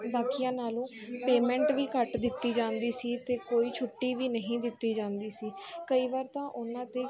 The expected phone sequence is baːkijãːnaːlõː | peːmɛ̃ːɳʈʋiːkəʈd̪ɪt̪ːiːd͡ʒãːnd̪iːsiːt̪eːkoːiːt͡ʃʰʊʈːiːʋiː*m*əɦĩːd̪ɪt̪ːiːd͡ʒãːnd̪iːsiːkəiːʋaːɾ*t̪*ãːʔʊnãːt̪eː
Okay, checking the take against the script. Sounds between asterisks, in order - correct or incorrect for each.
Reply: incorrect: n, correct

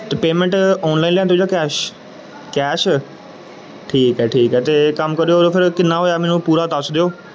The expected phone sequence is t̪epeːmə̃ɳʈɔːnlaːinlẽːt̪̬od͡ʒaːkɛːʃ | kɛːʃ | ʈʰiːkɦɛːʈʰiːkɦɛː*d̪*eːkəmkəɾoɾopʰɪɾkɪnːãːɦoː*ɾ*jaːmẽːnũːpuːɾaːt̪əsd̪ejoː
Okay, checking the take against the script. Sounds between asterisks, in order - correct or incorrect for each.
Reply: incorrect: t̪, incorrect: none

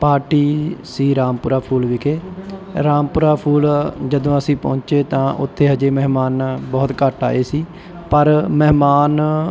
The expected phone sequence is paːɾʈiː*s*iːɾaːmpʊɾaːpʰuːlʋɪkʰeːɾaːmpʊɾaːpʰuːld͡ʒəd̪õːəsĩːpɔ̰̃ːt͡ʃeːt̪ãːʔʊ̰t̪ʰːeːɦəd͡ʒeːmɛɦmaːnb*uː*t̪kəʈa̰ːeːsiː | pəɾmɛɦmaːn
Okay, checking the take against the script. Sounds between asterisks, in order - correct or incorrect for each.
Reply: correct, incorrect: ɔː

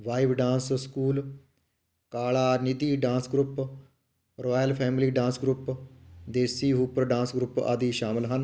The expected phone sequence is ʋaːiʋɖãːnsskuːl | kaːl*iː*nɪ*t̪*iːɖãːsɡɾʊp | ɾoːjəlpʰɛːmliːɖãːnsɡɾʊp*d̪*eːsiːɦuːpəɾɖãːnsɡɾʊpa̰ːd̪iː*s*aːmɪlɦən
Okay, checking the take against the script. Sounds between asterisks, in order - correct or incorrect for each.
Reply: incorrect: aː, incorrect: d̪, correct, incorrect: ʃ

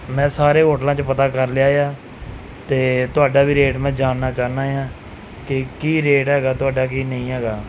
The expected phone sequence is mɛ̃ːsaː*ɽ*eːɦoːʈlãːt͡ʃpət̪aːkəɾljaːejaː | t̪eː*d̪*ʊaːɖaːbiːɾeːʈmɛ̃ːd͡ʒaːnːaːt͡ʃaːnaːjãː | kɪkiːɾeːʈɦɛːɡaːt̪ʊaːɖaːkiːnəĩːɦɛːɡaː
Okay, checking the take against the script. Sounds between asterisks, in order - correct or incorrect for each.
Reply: incorrect: ɾ, incorrect: t̪

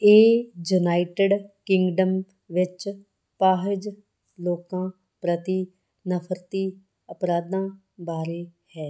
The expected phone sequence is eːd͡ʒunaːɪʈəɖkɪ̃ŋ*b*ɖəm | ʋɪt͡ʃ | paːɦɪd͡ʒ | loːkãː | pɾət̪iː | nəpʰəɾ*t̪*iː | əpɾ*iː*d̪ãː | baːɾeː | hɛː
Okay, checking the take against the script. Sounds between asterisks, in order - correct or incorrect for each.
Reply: incorrect: ɡ, correct, incorrect: aː

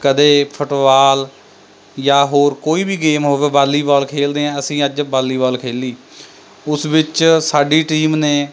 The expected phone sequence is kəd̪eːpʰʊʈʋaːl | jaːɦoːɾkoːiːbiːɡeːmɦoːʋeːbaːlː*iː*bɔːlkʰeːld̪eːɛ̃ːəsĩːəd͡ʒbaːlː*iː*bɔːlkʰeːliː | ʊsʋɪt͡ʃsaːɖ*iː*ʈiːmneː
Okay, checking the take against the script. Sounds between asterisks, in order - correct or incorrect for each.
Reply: correct, correct, correct

